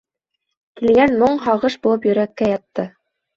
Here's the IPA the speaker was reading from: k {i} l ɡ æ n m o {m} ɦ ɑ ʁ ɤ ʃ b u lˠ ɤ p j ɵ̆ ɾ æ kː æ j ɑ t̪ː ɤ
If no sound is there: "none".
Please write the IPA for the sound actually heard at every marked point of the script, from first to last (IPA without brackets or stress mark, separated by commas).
i, ɴ